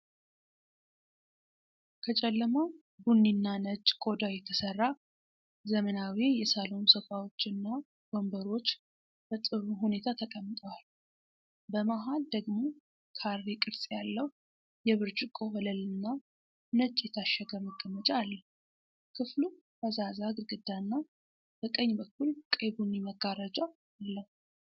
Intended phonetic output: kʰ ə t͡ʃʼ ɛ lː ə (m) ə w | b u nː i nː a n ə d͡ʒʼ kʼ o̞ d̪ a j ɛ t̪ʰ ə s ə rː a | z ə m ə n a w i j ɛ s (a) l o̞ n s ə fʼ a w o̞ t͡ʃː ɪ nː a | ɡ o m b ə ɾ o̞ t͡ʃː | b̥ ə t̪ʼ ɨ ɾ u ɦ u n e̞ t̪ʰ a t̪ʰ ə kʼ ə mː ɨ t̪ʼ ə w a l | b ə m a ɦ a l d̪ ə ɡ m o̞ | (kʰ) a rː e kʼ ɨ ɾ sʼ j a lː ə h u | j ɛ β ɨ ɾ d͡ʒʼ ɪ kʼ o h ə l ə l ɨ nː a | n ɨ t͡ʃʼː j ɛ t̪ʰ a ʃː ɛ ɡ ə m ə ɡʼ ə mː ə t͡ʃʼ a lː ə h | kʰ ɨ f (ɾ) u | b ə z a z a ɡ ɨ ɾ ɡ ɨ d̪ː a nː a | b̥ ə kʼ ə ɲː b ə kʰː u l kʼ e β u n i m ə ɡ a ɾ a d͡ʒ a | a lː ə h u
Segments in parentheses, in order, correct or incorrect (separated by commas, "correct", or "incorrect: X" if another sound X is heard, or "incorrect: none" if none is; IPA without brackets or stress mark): correct, correct, correct, incorrect: l